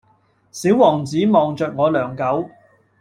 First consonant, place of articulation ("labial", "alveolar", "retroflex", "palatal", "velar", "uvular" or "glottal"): alveolar